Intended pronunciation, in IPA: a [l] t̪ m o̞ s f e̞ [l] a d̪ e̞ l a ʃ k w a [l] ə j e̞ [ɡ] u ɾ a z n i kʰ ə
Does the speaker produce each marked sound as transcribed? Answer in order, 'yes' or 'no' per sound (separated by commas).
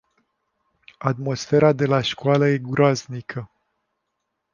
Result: no, no, yes, yes